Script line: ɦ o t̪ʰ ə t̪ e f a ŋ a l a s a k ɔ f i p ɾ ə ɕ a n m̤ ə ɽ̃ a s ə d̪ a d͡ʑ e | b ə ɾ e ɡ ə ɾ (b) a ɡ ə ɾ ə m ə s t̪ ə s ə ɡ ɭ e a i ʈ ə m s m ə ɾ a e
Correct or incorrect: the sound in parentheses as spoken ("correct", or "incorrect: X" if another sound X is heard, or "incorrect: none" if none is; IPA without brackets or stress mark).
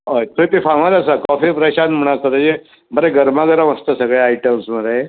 incorrect: m